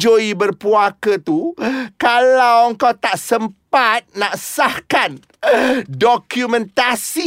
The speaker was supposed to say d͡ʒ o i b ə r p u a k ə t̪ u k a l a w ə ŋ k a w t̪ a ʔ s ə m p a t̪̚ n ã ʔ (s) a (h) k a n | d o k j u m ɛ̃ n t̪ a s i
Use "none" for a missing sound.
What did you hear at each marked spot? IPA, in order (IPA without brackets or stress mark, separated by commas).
s, h